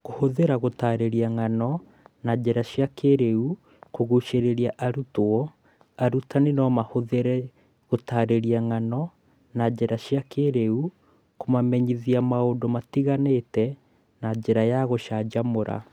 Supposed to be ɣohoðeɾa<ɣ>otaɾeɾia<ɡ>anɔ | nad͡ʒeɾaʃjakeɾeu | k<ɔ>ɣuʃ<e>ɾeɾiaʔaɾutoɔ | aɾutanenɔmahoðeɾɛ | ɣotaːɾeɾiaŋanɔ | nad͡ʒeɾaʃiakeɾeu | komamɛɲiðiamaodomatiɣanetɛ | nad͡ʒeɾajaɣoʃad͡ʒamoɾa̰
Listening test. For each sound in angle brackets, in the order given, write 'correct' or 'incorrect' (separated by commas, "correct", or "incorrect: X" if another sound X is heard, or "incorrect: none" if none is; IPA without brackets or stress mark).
correct, incorrect: ŋ, incorrect: o, correct